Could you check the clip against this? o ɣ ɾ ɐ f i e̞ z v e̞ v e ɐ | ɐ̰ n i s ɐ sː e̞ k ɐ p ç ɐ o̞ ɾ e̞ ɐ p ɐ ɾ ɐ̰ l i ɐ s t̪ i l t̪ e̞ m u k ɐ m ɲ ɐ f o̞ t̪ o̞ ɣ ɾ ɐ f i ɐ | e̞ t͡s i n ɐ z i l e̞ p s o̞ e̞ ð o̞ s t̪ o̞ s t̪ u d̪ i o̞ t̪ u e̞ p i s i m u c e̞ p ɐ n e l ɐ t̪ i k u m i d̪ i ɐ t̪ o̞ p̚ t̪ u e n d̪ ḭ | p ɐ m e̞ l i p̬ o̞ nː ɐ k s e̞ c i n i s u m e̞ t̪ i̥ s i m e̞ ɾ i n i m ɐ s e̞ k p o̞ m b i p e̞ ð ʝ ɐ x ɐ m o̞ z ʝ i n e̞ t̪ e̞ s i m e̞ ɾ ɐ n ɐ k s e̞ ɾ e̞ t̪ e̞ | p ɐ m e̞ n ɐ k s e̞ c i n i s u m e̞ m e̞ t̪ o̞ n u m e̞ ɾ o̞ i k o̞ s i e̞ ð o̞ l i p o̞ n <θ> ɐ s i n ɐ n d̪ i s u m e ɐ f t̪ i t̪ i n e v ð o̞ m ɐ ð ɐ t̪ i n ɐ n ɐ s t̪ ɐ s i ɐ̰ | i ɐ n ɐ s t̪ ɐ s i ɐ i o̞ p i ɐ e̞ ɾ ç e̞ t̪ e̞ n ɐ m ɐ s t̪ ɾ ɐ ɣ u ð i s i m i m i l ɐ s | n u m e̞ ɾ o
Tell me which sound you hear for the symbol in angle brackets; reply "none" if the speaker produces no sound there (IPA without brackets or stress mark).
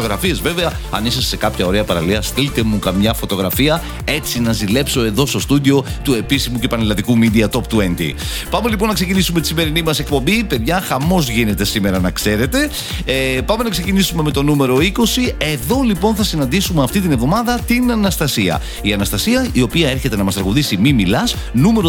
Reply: θ